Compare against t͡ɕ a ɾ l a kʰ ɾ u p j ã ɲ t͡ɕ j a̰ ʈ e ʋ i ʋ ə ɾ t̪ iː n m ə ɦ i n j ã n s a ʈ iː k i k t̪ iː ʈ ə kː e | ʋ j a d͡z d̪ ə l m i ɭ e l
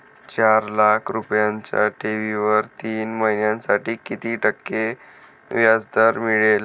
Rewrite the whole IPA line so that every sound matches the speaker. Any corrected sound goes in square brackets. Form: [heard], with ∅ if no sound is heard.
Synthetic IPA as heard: t͡ɕ a ɾ l a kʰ ɾ u p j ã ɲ t͡ɕ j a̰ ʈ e ʋ i ʋ ə ɾ t̪ iː n m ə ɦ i n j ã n s a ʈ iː k i [∅] t̪ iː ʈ ə kː e | ʋ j a d͡z d̪ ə [ɾ] m i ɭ e l